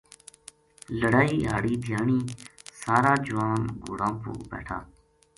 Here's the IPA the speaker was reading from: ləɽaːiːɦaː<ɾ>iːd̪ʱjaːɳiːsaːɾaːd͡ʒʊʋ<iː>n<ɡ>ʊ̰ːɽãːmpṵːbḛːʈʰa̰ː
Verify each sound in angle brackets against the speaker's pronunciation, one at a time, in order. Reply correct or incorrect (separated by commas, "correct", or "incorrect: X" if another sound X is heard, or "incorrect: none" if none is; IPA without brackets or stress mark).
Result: incorrect: ɽ, incorrect: aː, correct